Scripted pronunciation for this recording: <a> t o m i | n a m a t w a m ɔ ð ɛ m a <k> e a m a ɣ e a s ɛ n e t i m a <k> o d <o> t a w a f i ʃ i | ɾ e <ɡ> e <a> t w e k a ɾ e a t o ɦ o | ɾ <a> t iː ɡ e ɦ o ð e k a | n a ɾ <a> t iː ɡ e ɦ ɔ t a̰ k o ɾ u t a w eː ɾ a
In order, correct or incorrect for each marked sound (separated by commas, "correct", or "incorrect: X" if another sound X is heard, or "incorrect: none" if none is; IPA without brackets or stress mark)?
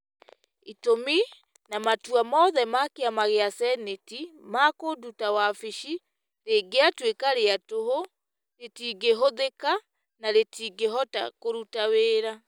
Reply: incorrect: i, correct, correct, incorrect: u, correct, correct, incorrect: e, incorrect: e